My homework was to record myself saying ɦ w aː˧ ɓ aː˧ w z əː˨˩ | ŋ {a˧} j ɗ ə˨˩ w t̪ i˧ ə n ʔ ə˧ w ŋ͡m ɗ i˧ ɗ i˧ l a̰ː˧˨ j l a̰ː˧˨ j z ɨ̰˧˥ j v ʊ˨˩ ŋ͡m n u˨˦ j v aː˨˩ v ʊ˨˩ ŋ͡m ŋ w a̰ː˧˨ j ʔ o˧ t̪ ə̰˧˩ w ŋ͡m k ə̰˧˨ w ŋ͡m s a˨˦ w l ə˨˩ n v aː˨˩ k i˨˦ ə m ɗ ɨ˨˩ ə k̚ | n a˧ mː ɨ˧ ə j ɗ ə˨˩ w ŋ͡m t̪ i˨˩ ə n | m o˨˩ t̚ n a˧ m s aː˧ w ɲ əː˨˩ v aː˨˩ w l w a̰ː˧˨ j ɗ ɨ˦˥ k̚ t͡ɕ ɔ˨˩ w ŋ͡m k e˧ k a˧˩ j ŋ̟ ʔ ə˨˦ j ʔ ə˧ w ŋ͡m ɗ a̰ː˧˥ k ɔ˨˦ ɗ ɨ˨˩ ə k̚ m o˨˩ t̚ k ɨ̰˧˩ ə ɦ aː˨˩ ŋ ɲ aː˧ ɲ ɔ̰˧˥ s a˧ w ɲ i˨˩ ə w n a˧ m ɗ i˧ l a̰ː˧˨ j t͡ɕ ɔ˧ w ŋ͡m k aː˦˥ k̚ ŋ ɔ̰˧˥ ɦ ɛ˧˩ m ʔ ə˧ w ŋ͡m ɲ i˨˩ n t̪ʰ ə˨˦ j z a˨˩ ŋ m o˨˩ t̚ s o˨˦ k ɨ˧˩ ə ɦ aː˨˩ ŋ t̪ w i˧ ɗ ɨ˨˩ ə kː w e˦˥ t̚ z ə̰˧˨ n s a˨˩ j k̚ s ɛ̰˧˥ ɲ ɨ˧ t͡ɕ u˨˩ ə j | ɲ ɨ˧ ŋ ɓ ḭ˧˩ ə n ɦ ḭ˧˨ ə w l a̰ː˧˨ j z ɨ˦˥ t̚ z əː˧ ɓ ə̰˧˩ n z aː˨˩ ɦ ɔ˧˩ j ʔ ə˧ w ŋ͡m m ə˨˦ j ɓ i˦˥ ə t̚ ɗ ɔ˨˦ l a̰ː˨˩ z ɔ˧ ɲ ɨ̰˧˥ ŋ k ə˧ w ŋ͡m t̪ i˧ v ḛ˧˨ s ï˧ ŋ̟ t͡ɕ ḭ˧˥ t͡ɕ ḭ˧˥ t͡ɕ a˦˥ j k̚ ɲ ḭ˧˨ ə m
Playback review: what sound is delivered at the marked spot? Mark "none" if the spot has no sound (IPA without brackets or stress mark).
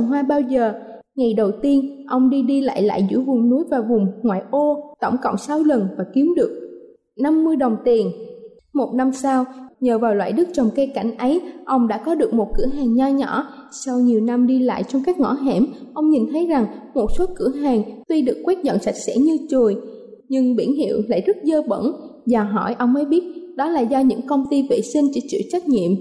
a˨˩